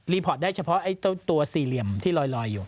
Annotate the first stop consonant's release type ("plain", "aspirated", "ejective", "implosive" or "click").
aspirated